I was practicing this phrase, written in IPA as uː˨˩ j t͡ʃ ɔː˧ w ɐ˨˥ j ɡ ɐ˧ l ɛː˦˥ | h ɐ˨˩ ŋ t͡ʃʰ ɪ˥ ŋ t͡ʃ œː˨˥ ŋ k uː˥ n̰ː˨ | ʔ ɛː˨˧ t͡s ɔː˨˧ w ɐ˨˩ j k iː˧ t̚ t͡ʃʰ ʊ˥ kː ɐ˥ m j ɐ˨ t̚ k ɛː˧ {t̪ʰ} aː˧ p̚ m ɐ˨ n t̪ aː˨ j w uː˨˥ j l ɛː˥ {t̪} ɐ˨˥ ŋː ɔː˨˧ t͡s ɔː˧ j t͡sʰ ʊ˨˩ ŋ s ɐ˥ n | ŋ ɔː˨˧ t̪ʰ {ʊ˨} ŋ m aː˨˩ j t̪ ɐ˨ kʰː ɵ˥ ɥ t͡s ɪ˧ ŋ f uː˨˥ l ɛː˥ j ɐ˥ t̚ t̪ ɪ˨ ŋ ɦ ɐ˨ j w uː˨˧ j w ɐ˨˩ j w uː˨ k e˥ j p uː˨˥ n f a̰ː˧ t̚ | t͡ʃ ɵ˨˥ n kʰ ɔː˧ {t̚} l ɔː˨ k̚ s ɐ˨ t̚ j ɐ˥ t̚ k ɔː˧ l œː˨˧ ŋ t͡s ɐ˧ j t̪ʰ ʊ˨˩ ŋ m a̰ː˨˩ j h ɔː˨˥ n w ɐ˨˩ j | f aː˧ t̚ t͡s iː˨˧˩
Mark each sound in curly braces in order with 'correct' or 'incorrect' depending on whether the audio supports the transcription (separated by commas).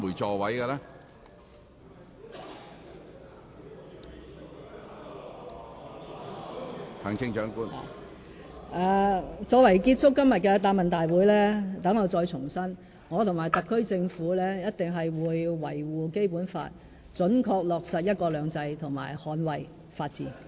incorrect, correct, correct, incorrect